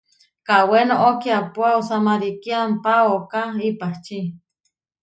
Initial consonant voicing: voiceless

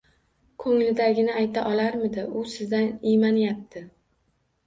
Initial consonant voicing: voiceless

